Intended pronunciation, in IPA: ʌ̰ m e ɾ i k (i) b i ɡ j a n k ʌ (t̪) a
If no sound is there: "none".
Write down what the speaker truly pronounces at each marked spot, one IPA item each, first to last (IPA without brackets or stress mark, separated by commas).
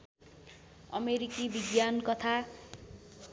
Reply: i, t̪ʰ